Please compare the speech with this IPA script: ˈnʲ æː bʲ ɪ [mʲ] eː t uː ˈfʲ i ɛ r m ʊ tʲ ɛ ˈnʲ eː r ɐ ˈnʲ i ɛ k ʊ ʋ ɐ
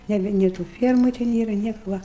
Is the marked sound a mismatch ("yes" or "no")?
yes